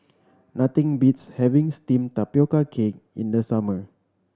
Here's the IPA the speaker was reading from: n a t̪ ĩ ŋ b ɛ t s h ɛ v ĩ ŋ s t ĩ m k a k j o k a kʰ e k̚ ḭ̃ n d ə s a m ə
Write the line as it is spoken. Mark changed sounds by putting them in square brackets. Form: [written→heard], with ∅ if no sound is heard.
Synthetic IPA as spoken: n a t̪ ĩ ŋ b [ɛ→i] t s h ɛ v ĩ ŋ s t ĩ m [k→t] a [k→p] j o k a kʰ e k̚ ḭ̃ n d ə s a m ə

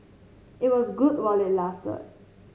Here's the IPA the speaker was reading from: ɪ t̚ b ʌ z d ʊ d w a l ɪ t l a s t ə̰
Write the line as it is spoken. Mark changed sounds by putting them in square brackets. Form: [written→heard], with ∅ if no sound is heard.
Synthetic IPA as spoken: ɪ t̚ [b→w] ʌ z [d→ɡ] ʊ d w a l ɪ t l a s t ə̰

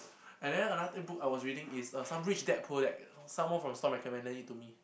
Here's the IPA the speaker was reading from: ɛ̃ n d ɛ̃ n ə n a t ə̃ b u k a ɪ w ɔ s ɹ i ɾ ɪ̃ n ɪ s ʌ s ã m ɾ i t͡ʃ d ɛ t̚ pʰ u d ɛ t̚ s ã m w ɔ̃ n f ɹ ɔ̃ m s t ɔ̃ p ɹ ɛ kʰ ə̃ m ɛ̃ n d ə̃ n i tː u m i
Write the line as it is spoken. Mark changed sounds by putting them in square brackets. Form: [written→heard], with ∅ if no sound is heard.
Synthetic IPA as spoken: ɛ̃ n d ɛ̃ n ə n a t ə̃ b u k a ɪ w ɔ s ɹ i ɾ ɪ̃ [n→ŋ] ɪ s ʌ s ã m [ɾ→ɹ] i t͡ʃ d ɛ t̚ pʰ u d ɛ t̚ s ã m w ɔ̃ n f ɹ ɔ̃ m s t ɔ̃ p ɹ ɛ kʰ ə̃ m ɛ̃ n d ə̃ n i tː u m i

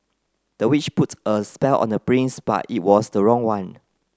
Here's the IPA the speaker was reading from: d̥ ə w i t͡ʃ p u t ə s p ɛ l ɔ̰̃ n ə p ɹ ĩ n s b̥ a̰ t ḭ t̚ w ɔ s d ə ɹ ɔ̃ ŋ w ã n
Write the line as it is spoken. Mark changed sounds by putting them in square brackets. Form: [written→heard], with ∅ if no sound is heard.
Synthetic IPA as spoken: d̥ ə w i t͡ʃ p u t ə s p ɛ l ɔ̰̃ n ə p ɹ ĩ n s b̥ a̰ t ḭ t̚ w ɔ s d ə ɹ ɔ̃ ŋ w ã n

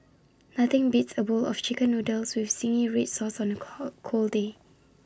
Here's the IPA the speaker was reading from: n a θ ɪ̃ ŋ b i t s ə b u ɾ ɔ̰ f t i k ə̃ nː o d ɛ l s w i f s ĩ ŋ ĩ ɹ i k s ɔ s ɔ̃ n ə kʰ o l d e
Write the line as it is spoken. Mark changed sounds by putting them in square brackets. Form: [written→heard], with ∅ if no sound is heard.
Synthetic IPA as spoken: n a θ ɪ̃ ŋ b i t s ə b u [ɾ→l] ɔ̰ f [t→t͡ʃ] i k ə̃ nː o d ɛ l s w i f s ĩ ŋ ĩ ɹ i [k→t] s ɔ s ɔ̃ n ə kʰ o l d e

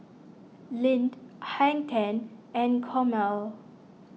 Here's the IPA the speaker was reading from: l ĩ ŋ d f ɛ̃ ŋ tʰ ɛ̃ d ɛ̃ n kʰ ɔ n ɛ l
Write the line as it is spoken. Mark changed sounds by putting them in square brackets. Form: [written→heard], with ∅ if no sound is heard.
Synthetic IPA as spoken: l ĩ [ŋ→n] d [f→h] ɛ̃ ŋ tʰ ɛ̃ [d→n] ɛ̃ n kʰ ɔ [n→m] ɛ l

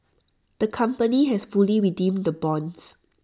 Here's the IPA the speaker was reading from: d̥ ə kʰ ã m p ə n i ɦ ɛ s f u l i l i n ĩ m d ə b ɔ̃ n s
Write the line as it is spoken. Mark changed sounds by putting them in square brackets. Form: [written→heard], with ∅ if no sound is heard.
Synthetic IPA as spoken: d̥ ə kʰ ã m p ə n i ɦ ɛ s f u l i [l→ɹ] i [n→d] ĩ m d ə b ɔ̃ n s

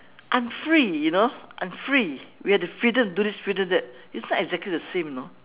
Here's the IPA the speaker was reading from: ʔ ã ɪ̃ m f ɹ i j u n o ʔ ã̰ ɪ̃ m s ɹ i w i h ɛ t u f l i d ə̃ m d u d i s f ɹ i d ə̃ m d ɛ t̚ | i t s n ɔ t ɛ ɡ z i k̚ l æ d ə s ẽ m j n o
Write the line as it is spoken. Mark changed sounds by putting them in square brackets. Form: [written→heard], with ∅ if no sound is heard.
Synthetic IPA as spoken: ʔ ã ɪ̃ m f ɹ i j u n o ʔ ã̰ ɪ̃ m [s→f] ɹ i w i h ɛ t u f [l→ɹ] i d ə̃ m d u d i s f ɹ i d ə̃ m d ɛ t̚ | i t s n ɔ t ɛ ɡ z [i→ɛ] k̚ l [æ→i] d ə s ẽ m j n o

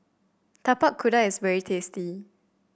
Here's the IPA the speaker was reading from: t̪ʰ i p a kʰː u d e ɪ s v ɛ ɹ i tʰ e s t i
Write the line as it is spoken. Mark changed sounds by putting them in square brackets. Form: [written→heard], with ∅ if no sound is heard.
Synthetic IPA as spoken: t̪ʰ [i→a] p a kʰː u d [e→a] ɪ s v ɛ ɹ i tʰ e s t i

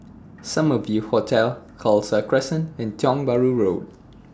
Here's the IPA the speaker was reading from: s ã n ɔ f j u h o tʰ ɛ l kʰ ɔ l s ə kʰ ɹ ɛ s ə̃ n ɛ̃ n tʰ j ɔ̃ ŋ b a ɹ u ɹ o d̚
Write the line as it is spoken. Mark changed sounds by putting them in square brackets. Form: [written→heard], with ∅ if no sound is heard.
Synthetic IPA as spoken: s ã [n→m] ɔ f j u h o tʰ ɛ l kʰ ɔ l s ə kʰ ɹ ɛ s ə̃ n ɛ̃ n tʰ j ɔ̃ ŋ b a ɹ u ɹ o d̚

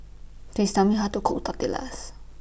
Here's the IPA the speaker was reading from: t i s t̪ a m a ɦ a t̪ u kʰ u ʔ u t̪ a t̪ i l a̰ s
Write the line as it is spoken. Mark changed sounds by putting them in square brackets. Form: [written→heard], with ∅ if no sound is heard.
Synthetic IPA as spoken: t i s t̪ a m [a→i] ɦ a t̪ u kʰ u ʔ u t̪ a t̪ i l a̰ s

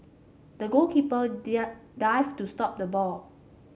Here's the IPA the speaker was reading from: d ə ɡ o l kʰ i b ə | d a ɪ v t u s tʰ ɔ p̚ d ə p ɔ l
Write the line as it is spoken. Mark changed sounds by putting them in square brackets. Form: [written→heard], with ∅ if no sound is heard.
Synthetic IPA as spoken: d ə ɡ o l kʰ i [b→p] ə | d a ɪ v t u s [tʰ→t] ɔ p̚ d ə [p→b] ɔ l

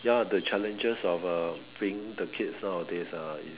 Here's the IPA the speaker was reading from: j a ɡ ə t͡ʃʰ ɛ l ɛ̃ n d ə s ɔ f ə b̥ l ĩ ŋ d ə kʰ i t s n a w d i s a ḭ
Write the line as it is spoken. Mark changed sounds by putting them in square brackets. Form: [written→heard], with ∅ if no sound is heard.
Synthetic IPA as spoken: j a [ɡ→d] ə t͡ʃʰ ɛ l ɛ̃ n [d→d͡ʒ] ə s ɔ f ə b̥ [l→ɹ] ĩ ŋ d ə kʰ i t s n a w d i s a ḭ

